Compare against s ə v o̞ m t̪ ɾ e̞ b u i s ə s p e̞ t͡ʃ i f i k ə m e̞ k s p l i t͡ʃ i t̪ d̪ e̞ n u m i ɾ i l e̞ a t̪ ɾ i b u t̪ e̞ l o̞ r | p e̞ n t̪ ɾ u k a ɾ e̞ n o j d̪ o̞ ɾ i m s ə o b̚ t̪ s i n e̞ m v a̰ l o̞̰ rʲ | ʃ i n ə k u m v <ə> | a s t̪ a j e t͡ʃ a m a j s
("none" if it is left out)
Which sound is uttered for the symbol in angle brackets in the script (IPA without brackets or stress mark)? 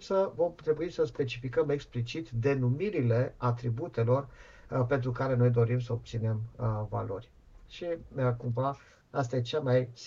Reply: a